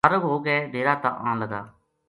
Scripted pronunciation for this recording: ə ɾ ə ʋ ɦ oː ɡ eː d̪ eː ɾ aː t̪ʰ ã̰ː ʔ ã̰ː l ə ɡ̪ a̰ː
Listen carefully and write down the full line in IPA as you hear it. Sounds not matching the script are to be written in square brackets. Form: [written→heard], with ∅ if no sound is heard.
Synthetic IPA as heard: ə ɾ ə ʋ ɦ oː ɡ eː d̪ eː ɾ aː [t̪ʰ→t̪] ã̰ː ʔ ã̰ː l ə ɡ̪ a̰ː